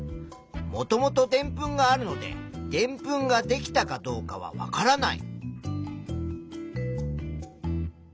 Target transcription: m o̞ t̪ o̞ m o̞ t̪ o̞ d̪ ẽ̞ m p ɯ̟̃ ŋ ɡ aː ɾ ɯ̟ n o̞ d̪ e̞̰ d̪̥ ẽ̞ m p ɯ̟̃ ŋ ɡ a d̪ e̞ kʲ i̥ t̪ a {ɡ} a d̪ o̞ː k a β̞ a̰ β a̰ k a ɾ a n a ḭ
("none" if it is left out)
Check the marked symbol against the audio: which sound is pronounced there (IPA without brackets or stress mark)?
k